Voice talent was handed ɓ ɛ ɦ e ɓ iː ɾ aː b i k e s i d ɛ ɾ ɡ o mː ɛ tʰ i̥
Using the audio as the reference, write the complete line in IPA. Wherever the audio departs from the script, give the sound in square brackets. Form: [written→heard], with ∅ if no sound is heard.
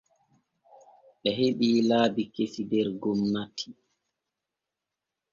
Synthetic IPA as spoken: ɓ ɛ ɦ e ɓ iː [ɾ→l] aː b i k e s i d ɛ ɾ ɡ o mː [ɛ→a] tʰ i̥